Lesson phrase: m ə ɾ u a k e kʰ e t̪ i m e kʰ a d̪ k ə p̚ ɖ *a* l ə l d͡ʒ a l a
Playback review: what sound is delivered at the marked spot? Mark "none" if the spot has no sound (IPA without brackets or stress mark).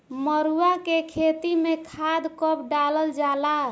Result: a